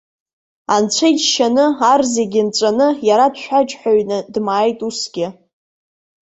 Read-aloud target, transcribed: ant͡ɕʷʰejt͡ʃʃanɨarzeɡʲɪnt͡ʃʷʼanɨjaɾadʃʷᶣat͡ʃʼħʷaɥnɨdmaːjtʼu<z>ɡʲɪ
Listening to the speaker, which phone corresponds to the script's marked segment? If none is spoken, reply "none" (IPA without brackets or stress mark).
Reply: s